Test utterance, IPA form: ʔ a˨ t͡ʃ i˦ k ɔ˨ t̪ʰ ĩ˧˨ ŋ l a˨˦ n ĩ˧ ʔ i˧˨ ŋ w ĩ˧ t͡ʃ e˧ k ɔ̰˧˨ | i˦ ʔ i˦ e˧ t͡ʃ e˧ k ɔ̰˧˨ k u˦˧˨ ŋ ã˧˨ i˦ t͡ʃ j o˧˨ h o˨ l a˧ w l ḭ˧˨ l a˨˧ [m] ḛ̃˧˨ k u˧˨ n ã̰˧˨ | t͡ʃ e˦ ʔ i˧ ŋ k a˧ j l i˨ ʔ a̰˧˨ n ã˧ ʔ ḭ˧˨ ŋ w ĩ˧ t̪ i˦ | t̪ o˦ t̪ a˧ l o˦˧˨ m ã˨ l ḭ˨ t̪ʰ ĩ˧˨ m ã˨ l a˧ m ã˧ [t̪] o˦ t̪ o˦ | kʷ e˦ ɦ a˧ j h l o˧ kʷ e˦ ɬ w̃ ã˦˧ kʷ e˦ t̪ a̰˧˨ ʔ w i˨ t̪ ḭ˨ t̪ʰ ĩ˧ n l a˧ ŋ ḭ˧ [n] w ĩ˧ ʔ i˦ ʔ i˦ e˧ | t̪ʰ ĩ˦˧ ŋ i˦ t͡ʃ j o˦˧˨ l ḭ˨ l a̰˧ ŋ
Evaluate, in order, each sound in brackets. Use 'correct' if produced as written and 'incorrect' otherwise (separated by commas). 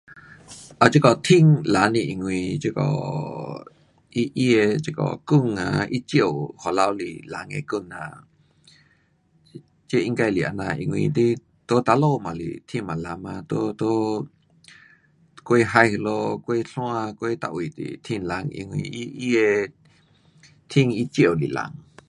incorrect, correct, incorrect